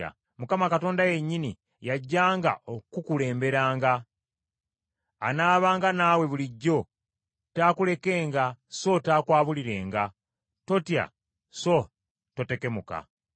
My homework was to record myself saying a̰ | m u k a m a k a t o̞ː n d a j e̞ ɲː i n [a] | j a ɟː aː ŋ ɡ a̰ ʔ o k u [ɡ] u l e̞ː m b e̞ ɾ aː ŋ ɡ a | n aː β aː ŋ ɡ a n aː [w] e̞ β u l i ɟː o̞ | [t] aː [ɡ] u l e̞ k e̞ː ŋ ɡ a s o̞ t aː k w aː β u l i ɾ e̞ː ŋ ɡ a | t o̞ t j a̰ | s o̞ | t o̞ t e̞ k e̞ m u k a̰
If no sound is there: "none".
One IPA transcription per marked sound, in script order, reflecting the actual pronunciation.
i, k, w, t, k

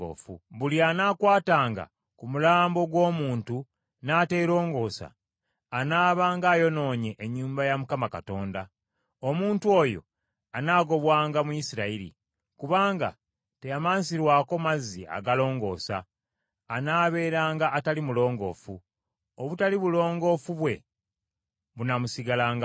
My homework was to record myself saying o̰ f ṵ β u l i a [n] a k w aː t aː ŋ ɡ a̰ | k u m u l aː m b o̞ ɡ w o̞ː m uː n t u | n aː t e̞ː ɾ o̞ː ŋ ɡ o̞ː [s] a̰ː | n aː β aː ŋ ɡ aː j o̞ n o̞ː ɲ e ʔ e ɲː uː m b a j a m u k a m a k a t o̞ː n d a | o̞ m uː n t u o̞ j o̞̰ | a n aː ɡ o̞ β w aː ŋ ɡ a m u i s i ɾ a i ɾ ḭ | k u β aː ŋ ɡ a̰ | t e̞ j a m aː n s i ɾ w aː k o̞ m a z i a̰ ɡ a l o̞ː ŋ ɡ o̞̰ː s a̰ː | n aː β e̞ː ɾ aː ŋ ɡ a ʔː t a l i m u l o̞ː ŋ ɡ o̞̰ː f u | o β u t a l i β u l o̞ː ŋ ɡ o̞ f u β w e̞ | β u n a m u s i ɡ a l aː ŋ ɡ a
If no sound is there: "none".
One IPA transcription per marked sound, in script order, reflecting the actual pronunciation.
n, s

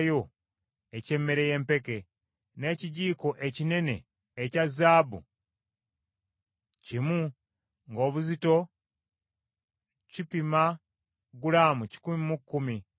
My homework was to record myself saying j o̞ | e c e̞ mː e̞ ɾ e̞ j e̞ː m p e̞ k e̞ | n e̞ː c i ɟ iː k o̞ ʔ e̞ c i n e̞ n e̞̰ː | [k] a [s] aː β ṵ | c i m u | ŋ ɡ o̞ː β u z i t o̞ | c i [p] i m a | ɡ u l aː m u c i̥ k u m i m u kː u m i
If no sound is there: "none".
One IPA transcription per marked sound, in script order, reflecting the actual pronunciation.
c, z, p

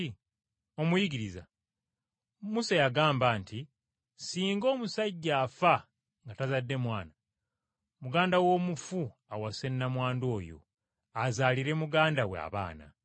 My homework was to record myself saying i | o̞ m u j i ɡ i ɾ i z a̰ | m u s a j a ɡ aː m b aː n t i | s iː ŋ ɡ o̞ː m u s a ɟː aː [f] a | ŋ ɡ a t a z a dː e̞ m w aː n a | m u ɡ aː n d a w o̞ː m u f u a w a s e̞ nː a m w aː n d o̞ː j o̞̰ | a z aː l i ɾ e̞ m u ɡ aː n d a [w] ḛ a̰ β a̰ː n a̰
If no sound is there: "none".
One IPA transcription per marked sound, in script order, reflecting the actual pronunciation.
f, w

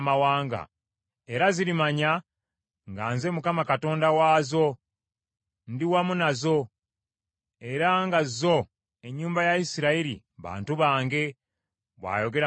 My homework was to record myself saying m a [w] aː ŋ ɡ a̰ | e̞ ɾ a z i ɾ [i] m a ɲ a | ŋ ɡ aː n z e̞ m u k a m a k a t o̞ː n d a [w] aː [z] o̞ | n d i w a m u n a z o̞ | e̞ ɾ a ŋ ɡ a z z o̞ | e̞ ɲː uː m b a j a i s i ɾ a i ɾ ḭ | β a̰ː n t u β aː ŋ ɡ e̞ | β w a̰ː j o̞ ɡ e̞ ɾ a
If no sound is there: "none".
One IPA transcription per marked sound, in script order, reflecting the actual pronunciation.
w, i, w, z

